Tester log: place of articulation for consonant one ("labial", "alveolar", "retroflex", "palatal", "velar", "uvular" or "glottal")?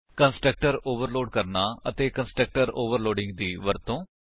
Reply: velar